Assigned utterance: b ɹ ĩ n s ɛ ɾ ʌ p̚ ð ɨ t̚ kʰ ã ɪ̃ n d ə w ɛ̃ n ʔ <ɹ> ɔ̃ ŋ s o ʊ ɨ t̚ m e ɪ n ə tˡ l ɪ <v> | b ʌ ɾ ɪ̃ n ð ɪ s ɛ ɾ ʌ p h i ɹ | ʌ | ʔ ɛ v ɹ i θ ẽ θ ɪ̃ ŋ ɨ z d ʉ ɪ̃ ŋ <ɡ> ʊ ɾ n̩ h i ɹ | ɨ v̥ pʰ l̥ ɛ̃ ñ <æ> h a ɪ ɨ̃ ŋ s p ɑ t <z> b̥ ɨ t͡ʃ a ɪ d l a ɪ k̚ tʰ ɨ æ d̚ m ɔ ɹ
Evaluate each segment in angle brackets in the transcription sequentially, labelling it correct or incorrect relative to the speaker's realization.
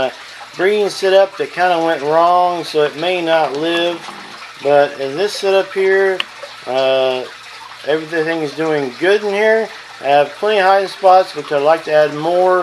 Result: correct, correct, correct, incorrect: i, incorrect: s

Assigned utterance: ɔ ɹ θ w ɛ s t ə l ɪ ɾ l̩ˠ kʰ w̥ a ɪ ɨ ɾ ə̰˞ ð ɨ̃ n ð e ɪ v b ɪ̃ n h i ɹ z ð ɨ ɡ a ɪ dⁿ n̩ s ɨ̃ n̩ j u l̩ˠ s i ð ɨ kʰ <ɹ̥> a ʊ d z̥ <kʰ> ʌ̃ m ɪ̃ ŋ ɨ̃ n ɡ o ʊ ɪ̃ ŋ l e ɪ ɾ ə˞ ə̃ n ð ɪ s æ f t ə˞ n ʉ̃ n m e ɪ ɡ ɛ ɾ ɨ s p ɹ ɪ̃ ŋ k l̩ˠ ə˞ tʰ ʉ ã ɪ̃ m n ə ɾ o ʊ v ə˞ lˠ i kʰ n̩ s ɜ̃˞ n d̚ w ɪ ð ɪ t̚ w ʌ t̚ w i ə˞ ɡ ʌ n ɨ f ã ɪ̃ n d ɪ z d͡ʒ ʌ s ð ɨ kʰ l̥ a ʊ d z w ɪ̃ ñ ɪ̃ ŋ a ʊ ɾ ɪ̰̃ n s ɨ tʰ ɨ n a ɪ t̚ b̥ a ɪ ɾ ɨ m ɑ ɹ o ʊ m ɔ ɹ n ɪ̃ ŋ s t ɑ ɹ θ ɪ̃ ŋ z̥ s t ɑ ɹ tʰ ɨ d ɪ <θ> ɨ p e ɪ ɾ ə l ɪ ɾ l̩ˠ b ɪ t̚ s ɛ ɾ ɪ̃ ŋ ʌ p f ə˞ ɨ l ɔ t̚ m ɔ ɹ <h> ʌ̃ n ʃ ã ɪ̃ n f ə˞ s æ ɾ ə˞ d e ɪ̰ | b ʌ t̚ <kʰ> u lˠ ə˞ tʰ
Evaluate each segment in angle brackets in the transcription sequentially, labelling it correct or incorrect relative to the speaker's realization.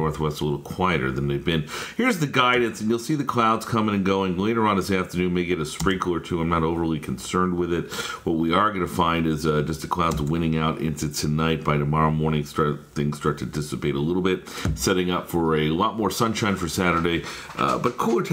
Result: incorrect: l̥, correct, incorrect: s, incorrect: s, correct

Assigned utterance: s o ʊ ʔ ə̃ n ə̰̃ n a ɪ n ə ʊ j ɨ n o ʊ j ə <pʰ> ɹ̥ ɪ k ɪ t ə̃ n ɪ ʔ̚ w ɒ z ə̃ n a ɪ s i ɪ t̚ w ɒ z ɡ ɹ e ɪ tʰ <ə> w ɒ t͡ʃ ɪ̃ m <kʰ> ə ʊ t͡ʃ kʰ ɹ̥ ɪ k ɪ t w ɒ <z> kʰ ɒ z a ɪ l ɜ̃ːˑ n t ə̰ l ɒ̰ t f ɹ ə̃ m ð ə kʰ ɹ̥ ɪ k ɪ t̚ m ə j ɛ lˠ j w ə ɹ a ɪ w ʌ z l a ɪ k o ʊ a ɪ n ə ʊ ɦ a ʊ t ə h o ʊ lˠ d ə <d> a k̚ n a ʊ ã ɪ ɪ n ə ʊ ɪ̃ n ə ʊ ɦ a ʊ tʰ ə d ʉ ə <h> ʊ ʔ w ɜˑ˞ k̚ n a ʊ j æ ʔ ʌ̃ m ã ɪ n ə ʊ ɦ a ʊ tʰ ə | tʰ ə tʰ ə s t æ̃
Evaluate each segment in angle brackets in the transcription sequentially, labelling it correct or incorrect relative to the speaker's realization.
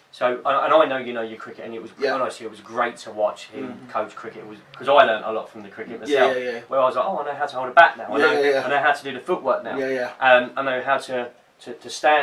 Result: incorrect: kʰ, correct, correct, correct, incorrect: b, incorrect: f

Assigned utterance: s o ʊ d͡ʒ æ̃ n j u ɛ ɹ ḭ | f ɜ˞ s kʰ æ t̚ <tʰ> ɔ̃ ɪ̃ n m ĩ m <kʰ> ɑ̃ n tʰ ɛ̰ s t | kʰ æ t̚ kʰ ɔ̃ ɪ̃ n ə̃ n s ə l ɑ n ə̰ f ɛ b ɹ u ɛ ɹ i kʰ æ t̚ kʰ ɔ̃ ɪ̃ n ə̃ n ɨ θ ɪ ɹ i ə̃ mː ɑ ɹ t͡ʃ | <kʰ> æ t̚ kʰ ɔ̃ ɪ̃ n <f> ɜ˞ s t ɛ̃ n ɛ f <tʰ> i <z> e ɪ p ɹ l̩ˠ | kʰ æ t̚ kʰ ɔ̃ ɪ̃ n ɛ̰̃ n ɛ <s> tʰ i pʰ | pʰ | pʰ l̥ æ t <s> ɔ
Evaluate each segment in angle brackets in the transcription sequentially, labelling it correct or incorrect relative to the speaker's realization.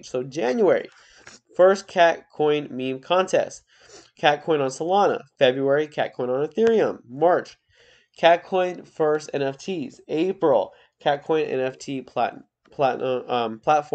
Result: incorrect: kʰ, correct, correct, correct, correct, correct, incorrect: f, incorrect: f

